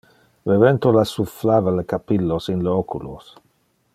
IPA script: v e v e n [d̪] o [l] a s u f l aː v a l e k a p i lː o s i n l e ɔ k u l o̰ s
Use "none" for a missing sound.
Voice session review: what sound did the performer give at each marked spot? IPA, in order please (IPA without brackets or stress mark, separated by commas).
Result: t̪, l